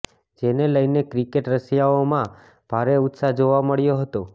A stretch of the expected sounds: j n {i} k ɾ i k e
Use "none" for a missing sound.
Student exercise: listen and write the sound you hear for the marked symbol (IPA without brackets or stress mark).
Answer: e